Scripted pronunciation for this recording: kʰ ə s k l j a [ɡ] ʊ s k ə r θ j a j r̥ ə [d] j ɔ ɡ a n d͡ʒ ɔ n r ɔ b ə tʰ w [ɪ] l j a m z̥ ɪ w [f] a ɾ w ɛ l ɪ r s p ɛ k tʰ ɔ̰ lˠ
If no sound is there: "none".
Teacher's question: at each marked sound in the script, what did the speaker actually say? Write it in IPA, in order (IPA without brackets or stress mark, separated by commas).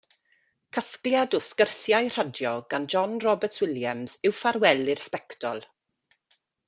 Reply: d, d, ɪ, f